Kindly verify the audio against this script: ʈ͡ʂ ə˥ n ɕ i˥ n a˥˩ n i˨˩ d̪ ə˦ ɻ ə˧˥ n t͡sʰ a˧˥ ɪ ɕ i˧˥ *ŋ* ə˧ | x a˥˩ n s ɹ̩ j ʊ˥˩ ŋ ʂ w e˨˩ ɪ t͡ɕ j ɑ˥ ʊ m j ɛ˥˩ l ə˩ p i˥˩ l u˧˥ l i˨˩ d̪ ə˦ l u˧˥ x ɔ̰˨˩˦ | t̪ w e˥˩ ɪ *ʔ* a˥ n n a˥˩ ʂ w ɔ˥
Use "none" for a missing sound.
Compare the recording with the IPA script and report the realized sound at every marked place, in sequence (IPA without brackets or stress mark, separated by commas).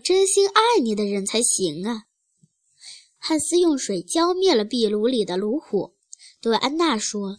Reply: ŋ, ʔ